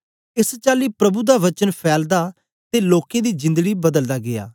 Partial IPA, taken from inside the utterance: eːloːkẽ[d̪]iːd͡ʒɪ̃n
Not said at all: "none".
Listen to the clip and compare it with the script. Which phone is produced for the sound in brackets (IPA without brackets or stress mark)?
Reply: d̪